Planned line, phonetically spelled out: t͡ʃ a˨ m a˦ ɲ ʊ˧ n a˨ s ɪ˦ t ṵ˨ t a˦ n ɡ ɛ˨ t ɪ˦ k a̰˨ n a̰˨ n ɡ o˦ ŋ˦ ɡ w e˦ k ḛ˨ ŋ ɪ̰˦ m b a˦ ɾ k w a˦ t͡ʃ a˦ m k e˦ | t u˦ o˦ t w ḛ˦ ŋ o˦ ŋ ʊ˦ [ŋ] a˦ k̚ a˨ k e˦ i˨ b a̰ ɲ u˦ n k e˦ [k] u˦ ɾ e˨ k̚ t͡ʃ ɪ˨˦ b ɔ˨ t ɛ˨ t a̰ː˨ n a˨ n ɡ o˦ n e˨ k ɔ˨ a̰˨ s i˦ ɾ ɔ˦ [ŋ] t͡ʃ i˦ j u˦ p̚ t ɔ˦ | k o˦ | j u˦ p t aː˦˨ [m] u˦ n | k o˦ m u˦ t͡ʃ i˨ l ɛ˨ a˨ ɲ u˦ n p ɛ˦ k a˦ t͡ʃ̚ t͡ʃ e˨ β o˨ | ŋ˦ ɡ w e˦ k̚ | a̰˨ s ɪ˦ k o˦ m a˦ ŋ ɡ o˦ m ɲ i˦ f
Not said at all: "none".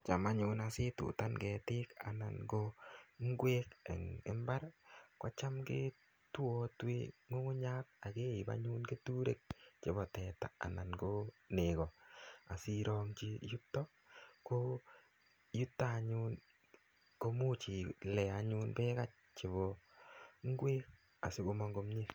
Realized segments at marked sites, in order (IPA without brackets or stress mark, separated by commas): ɲ, t, ŋ, ɲ